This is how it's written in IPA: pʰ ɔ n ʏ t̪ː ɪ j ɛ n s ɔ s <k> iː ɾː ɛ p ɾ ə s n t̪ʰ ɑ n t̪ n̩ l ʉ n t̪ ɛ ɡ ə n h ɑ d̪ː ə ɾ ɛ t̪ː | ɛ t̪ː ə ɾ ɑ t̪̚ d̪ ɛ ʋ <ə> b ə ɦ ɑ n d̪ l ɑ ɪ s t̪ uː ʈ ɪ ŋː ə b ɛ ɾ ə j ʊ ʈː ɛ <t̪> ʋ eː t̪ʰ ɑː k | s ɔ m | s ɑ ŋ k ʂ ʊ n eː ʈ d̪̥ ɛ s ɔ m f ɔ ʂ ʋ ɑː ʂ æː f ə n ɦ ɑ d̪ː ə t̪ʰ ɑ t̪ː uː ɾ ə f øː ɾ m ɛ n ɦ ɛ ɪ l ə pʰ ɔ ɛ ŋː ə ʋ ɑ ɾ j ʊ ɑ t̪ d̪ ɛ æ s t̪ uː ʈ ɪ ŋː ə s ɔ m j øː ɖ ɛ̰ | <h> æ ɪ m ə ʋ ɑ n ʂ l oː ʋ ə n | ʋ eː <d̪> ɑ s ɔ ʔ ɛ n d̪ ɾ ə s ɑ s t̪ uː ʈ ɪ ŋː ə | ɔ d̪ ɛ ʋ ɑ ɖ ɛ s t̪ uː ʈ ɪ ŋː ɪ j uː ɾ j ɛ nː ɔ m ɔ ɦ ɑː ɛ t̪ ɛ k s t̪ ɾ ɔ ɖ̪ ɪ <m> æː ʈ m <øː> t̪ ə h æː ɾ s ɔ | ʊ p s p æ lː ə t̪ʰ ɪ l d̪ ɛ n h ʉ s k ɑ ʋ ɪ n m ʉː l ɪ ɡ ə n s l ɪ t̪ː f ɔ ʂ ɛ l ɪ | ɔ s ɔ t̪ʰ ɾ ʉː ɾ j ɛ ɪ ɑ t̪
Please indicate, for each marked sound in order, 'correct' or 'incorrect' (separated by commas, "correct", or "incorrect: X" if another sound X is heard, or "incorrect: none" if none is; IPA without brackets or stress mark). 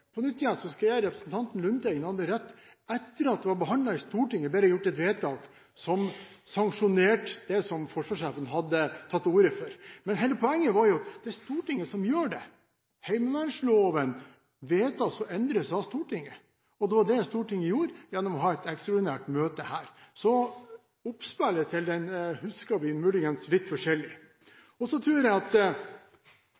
correct, incorrect: ɑ, correct, correct, incorrect: t̪, incorrect: n, correct